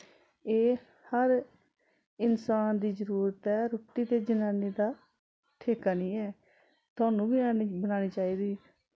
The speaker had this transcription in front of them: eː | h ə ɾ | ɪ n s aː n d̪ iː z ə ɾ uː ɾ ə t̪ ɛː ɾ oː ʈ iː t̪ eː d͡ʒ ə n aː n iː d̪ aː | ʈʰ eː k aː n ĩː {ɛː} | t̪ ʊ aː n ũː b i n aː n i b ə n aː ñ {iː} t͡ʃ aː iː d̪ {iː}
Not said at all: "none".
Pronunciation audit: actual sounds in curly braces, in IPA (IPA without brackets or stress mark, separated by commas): ɛː, iː, iː